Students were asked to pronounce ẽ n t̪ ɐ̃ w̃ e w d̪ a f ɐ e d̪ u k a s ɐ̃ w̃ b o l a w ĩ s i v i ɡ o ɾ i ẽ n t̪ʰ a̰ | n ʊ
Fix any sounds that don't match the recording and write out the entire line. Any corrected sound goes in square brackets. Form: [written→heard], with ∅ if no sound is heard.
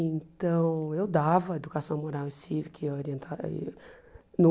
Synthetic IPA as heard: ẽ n t̪ ɐ̃ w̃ e w d̪ a [f→v] ɐ e d̪ u k a s ɐ̃ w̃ [b→m] o [l→ɾ] a w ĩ s i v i [ɡ→k] o ɾ i ẽ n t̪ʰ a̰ | n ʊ